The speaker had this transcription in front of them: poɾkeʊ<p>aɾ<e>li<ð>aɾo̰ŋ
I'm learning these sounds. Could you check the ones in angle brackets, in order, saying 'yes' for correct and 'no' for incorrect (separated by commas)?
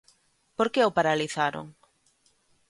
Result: yes, no, no